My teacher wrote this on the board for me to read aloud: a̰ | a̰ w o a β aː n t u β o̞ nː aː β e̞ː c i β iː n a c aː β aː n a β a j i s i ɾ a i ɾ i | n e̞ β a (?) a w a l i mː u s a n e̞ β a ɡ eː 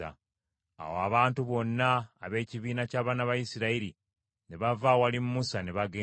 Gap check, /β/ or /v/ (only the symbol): v